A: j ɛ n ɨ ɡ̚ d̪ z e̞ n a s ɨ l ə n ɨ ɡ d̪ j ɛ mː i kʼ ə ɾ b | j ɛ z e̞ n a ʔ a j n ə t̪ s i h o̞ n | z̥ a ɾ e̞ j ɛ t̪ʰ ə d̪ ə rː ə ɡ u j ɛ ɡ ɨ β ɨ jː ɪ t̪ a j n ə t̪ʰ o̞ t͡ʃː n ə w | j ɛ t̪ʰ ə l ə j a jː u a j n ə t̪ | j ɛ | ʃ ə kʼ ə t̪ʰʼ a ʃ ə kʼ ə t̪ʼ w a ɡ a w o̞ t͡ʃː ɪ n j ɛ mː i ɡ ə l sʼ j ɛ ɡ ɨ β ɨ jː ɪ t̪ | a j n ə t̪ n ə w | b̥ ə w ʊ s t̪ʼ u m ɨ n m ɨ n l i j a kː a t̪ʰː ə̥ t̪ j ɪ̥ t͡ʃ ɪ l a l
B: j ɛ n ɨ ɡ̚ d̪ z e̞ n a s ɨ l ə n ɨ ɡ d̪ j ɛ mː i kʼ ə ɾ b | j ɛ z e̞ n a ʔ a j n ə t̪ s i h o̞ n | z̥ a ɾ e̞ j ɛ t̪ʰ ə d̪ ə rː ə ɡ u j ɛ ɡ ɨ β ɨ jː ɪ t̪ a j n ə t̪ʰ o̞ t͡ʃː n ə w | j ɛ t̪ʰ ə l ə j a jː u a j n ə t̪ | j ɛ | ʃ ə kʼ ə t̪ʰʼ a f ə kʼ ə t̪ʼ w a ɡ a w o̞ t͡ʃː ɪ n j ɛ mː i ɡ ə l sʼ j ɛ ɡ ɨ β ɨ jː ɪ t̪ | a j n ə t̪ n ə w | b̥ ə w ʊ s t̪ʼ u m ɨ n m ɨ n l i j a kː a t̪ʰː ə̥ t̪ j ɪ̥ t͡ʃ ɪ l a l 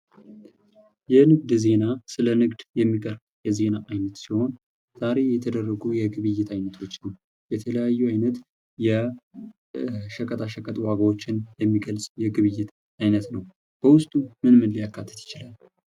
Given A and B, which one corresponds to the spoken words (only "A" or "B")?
A